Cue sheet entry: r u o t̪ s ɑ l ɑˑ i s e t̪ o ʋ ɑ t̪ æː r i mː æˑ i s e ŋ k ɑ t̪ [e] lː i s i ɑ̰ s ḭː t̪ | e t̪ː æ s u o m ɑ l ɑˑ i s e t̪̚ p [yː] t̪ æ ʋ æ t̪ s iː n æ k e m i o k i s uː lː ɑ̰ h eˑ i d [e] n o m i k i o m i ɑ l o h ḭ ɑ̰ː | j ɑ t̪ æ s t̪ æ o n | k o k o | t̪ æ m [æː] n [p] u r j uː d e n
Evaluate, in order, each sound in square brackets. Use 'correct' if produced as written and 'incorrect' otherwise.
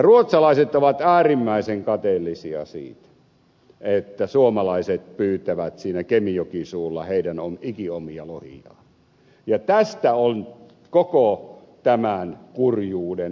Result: correct, correct, incorrect: æ, incorrect: æ, incorrect: k

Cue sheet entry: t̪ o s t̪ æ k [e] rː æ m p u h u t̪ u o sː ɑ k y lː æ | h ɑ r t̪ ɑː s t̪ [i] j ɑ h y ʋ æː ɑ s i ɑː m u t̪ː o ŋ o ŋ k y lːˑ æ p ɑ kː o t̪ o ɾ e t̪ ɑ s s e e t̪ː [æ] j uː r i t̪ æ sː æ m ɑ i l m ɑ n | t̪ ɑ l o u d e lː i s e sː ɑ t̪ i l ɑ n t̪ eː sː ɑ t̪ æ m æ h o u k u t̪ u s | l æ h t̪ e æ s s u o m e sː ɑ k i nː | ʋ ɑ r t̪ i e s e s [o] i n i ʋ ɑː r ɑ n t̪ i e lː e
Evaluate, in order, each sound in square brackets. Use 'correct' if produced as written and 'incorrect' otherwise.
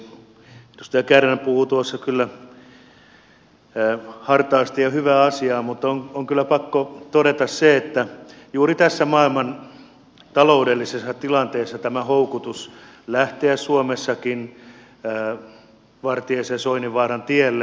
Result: incorrect: æ, correct, correct, correct

